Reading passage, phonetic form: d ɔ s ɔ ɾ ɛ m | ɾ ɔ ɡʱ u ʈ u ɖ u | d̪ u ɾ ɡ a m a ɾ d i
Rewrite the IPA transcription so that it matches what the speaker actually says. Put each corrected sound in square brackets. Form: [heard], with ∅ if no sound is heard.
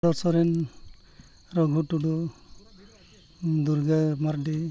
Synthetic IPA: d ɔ s ɔ ɾ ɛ [n] | ɾ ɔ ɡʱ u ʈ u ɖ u | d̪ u ɾ ɡ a m a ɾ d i